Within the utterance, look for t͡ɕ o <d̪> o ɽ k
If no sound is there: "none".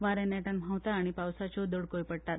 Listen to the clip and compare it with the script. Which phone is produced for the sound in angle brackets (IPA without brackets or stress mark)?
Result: d̪